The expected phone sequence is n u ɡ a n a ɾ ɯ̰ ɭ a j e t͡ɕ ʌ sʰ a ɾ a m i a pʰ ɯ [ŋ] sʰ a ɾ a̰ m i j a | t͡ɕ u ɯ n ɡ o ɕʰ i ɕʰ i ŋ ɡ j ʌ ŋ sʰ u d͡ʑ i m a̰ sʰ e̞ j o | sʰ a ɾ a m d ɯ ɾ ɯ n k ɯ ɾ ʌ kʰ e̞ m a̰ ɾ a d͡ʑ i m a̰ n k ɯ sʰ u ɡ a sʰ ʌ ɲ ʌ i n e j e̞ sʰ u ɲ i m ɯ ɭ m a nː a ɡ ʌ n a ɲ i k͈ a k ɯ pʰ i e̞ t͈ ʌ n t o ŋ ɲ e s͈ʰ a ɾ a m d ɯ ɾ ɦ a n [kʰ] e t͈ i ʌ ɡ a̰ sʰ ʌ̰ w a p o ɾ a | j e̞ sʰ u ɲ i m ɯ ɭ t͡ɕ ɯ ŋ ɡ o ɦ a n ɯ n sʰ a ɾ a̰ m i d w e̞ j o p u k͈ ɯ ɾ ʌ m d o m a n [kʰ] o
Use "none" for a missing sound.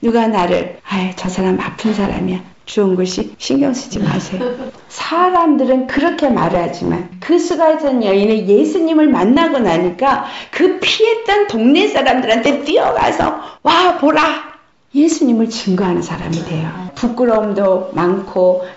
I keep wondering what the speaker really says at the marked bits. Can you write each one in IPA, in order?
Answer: n, tʰ, kʰ

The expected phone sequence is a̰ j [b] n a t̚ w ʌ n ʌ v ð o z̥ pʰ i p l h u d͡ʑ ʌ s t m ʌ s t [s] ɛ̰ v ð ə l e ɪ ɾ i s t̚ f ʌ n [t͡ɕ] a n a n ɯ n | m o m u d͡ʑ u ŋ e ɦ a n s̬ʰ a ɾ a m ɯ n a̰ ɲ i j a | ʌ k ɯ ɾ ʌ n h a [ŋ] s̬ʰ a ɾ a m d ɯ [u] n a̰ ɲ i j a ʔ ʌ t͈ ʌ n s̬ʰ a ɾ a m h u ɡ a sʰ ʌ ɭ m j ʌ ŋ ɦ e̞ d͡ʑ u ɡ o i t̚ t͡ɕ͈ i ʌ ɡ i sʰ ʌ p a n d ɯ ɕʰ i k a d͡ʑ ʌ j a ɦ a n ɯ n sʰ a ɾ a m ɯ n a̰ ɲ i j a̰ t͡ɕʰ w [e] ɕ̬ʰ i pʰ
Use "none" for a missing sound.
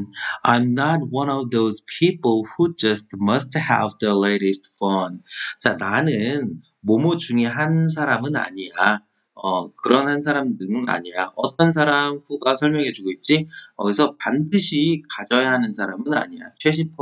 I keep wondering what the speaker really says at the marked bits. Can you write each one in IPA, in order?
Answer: m, h, t͡ɕ, n, ɯ, e

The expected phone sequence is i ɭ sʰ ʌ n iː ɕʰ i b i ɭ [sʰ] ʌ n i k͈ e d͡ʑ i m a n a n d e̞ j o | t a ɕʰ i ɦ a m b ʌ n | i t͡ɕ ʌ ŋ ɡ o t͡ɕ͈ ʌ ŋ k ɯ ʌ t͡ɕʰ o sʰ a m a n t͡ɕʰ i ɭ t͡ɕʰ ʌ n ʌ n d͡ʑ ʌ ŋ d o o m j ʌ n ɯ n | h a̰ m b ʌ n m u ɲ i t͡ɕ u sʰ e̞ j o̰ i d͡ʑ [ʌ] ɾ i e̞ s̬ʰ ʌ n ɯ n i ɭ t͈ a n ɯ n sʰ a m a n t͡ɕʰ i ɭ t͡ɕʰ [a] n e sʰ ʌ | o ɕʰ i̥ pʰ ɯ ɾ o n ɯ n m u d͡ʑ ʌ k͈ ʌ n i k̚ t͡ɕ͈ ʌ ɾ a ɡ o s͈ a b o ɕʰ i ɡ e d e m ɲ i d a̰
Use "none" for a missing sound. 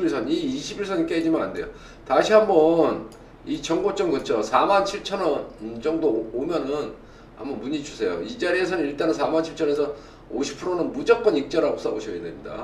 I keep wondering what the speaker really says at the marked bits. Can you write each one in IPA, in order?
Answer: sʰ, a, ʌ

